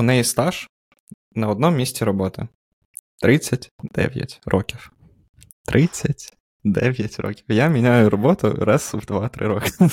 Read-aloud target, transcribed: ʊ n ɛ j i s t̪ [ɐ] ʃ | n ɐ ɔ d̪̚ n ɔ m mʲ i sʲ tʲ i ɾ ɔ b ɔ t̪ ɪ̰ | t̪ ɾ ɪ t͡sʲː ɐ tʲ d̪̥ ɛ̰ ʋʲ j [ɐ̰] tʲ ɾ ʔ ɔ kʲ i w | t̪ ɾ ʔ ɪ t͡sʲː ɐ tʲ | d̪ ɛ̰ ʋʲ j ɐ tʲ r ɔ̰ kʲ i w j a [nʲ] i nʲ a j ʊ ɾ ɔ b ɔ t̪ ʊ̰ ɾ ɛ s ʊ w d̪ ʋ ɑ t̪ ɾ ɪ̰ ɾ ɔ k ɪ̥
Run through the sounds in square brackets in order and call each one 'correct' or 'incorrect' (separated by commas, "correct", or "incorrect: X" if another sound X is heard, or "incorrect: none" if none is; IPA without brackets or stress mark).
incorrect: ɑ, correct, incorrect: mʲ